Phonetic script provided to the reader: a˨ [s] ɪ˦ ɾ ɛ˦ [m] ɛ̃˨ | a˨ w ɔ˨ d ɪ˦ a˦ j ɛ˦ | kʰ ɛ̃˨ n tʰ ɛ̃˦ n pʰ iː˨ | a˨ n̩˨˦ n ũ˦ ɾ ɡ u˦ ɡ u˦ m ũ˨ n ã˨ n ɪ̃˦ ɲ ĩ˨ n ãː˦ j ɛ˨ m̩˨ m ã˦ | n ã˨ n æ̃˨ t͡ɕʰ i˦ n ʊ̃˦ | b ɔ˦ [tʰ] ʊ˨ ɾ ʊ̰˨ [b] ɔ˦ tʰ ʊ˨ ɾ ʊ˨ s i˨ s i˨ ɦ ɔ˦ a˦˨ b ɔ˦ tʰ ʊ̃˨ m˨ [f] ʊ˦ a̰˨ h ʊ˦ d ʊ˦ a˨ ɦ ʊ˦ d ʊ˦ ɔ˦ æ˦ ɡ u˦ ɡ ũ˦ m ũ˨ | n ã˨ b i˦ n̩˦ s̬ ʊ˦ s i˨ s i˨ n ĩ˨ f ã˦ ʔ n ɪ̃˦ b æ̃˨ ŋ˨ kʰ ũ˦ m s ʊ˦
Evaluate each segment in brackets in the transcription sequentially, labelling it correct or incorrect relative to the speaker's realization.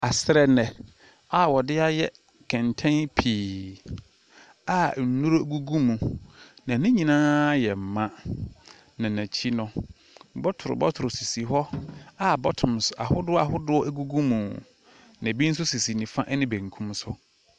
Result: correct, incorrect: n, correct, correct, incorrect: s

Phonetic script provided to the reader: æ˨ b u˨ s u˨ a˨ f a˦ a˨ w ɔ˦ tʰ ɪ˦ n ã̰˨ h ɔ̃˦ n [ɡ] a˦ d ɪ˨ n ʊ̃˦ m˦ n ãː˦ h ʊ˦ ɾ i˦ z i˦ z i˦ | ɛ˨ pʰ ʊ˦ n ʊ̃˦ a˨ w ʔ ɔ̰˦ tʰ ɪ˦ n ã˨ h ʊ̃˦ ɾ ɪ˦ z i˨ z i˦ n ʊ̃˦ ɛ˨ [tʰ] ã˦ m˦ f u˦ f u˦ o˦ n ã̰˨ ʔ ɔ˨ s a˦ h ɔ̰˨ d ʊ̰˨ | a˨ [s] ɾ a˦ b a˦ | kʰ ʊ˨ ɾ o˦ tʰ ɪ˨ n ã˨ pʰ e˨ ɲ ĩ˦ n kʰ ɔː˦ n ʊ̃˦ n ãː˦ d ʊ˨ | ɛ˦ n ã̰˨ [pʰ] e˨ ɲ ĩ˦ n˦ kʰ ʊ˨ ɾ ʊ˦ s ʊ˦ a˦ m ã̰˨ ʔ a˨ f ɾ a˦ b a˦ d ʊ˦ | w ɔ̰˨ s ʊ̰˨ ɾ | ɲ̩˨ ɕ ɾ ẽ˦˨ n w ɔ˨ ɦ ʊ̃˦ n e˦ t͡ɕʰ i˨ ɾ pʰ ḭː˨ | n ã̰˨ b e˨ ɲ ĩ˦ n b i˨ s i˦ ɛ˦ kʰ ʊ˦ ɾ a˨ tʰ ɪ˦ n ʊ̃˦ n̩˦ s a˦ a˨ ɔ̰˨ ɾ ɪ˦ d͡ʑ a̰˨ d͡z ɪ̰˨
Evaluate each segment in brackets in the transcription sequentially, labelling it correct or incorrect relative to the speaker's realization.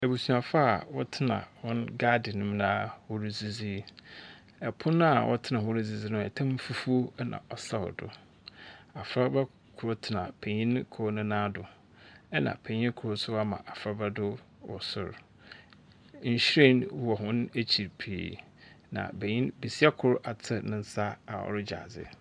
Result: correct, correct, incorrect: f, correct

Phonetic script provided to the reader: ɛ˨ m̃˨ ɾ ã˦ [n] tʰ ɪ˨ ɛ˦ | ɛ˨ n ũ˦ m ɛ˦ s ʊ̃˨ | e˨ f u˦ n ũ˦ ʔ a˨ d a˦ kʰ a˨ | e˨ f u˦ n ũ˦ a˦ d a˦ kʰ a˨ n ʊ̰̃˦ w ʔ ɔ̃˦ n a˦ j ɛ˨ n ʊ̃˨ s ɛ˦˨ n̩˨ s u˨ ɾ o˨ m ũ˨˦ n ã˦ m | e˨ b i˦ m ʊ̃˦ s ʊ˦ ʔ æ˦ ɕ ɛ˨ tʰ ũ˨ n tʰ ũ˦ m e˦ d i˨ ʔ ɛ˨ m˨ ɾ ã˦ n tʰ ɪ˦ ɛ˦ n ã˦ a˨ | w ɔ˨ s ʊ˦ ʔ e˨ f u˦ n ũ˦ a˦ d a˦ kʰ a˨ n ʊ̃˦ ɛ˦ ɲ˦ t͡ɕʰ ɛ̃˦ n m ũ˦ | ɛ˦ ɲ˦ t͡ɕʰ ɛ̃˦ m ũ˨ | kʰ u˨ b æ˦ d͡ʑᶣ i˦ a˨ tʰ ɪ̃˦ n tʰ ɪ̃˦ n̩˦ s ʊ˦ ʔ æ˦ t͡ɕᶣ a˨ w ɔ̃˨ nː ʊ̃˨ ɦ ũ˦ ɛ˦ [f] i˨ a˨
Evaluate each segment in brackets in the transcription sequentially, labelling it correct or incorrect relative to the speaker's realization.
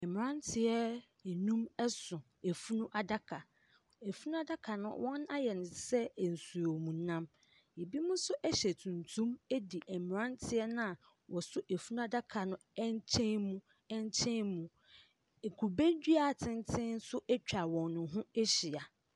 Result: correct, incorrect: ɕ

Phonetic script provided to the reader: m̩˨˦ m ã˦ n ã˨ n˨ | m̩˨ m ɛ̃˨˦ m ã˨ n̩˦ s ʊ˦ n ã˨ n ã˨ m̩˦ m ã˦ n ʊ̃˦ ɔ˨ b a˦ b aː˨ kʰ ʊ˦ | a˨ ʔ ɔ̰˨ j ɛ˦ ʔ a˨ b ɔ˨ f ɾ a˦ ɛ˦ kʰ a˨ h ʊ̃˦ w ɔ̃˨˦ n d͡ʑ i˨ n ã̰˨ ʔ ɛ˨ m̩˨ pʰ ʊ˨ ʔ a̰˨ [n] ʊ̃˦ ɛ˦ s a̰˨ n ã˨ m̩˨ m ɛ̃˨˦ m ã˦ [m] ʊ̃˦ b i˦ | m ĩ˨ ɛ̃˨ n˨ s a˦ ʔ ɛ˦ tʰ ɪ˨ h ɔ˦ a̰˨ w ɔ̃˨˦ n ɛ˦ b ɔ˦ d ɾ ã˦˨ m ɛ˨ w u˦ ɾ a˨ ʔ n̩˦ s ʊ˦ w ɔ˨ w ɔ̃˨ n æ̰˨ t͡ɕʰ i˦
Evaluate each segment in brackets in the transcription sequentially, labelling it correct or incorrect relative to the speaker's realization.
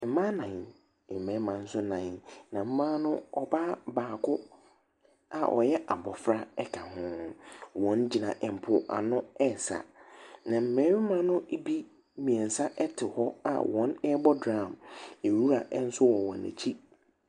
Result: correct, incorrect: n

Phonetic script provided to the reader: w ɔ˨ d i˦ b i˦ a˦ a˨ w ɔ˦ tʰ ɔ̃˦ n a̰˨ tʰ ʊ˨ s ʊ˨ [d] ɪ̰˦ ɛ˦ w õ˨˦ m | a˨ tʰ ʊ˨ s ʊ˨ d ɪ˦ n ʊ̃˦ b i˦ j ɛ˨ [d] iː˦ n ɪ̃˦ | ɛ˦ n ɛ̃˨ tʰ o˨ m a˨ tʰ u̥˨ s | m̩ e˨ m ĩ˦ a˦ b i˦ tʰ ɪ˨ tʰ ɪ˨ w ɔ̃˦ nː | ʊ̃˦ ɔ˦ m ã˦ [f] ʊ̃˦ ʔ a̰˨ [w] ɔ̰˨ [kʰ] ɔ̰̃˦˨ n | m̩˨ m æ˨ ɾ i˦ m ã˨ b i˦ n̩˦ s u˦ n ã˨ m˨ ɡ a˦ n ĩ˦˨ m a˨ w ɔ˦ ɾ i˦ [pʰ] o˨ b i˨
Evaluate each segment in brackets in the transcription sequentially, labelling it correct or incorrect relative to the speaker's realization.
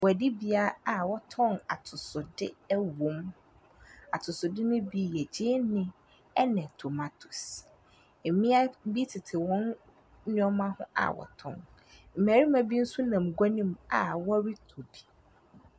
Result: correct, incorrect: d͡ʑ, incorrect: h, correct, incorrect: tʰ, incorrect: tʰ

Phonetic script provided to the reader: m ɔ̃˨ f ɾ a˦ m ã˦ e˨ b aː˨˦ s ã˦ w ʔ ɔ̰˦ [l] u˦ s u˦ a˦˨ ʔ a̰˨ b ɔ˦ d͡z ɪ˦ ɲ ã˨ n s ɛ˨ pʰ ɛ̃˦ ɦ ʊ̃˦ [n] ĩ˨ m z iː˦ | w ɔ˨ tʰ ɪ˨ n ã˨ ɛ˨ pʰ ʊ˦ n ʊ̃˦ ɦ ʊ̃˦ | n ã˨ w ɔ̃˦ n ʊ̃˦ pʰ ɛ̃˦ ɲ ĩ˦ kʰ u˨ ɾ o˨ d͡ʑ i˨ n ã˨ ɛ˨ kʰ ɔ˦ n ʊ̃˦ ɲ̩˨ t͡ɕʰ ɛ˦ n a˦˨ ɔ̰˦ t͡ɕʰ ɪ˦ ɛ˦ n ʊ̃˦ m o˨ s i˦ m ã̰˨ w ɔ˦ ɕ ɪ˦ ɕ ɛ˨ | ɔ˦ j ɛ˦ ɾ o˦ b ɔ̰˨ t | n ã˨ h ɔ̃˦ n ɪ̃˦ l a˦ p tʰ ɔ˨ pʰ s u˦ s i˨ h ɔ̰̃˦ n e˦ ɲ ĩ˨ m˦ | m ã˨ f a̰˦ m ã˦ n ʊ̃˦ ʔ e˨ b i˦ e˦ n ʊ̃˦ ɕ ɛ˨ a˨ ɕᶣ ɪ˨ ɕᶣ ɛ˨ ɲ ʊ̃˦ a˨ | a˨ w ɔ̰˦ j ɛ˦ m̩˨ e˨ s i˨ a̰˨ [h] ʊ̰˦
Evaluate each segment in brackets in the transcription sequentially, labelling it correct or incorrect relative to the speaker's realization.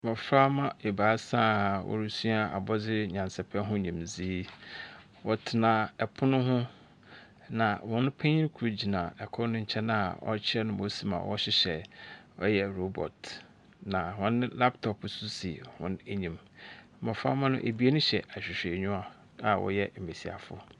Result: incorrect: ɾ, incorrect: ɲ, incorrect: f

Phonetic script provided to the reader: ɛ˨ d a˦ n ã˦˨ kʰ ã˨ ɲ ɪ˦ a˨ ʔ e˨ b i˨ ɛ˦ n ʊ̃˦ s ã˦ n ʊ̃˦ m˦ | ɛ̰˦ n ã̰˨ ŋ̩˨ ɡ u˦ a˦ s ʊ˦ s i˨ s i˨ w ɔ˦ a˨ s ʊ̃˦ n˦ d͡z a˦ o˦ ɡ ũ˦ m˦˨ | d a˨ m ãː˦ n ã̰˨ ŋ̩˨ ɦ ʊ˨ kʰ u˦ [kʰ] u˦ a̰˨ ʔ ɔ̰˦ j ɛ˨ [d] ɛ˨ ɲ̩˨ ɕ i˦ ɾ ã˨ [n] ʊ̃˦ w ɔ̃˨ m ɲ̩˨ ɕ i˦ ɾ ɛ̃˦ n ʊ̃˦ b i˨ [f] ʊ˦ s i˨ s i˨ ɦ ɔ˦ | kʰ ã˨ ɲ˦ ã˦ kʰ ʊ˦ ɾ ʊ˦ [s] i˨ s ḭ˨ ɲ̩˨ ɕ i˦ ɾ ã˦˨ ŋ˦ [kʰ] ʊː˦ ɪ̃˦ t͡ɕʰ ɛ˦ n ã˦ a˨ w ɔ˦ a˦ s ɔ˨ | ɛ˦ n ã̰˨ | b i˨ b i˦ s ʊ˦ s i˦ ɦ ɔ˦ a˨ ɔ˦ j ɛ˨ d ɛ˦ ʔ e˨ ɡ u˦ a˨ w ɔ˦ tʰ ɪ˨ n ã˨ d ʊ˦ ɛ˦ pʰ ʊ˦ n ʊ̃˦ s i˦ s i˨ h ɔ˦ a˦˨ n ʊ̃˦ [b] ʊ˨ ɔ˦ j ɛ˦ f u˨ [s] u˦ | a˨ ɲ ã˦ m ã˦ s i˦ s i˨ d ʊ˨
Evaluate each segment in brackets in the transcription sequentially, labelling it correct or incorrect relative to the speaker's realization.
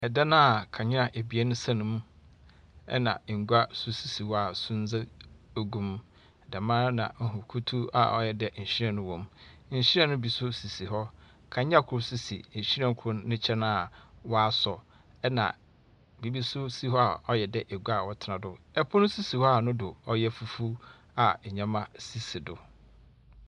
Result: incorrect: tʰ, correct, correct, incorrect: s, correct, correct, incorrect: d, incorrect: f

